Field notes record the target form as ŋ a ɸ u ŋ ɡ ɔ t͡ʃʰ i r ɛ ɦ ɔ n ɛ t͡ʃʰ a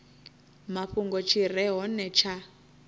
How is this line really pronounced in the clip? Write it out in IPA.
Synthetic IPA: m a ɸ u ŋ ɡ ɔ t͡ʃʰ i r ɛ ɦ ɔ n ɛ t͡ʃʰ a

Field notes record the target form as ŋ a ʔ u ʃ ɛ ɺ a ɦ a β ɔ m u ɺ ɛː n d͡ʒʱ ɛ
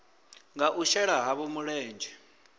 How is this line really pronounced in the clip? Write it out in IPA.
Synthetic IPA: ŋ a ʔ u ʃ ɛ ɺ a ɦ a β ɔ m u ɺ ɛː n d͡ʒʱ ɛ

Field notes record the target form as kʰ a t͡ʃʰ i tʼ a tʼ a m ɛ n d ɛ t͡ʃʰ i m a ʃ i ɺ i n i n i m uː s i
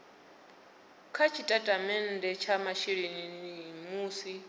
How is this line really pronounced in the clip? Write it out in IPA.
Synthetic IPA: kʰ a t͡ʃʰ i tʼ a tʼ a m ɛ n d ɛ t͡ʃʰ a m a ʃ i ɺ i n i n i m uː s i

